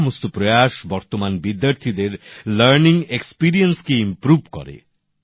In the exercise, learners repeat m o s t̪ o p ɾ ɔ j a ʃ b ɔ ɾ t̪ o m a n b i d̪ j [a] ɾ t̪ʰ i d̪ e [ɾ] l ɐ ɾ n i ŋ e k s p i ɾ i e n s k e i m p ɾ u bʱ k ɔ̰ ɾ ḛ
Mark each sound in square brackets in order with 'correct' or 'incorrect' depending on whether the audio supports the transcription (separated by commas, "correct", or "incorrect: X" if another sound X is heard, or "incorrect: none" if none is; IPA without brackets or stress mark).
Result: correct, correct